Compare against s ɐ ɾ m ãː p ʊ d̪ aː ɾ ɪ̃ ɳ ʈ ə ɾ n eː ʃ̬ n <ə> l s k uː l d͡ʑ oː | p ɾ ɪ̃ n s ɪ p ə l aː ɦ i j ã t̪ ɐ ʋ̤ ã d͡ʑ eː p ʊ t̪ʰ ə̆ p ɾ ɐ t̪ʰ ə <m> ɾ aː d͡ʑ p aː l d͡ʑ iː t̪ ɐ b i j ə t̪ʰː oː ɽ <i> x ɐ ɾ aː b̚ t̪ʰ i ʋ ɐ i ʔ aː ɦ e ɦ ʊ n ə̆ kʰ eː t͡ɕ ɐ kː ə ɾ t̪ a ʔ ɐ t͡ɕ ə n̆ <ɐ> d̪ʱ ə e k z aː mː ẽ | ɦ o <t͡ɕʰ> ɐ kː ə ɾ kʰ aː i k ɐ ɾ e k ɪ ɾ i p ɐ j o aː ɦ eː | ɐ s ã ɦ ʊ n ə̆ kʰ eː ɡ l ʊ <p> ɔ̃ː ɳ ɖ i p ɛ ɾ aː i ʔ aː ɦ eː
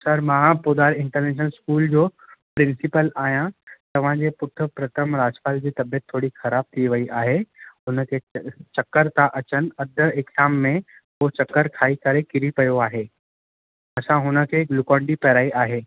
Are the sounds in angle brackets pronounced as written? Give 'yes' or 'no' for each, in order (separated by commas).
yes, yes, yes, yes, no, no